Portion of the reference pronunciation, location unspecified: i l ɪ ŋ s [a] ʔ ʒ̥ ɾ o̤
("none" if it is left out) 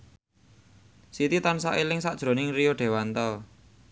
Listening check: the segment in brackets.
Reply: a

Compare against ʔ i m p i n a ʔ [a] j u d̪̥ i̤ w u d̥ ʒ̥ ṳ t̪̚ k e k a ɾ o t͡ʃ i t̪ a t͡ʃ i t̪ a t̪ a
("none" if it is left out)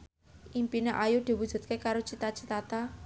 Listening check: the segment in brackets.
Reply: a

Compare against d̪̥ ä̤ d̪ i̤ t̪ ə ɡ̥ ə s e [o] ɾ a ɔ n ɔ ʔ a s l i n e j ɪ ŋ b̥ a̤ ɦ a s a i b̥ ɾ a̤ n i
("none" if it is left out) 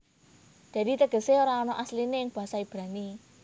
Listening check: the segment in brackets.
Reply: o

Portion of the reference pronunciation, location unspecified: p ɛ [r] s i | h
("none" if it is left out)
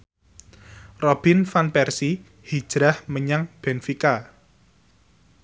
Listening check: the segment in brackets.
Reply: r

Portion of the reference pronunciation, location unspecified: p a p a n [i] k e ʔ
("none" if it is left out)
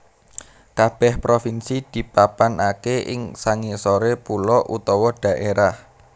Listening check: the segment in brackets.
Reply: a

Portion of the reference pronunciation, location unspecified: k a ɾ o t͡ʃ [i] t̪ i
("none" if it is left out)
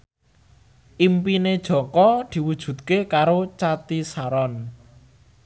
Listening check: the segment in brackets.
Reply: a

